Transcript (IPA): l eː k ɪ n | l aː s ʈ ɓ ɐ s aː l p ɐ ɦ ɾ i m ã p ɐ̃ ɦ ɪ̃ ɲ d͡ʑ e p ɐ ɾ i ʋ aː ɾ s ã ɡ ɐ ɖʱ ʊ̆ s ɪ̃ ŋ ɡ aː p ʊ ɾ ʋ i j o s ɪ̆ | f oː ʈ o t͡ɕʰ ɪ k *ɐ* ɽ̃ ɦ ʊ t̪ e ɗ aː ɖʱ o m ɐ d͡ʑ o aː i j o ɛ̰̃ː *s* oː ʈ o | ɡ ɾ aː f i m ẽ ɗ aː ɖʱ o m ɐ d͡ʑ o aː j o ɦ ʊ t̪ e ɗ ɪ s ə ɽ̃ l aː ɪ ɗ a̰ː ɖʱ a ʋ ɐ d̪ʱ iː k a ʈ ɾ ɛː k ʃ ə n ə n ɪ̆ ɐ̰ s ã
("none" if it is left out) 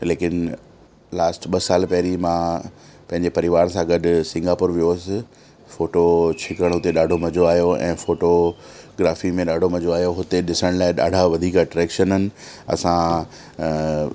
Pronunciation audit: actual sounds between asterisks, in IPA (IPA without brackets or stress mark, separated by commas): ə, f